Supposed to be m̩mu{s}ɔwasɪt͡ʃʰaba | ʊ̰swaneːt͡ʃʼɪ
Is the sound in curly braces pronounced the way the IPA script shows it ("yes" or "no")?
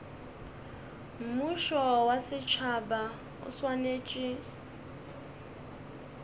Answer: no